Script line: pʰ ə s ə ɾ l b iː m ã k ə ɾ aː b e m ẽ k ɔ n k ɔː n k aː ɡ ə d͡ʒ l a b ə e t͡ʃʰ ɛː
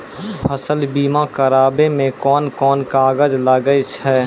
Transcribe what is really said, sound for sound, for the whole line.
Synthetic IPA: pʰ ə s ə l b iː m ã k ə ɾ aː b e m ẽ k ɔː n k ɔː n k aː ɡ ə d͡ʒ l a ɡ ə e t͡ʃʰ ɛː